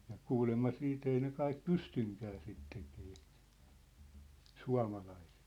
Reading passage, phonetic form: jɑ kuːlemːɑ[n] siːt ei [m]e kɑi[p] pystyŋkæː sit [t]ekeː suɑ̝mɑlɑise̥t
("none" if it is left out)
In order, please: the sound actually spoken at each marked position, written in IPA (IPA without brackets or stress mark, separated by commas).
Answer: none, n, k, t